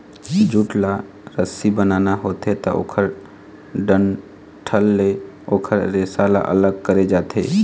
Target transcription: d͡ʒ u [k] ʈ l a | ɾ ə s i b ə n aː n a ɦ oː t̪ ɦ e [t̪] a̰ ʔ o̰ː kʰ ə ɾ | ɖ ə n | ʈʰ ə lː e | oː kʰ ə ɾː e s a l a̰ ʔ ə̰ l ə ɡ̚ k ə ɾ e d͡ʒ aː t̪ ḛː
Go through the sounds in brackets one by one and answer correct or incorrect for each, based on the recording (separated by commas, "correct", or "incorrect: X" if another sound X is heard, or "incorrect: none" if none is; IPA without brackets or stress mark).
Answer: incorrect: none, correct